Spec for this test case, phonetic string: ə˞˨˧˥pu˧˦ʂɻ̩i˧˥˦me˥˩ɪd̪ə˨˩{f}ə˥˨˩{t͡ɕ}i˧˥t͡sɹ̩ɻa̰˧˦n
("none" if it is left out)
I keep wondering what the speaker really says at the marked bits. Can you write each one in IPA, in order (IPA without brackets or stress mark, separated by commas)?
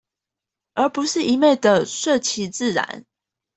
ʂ, t͡ɕʰ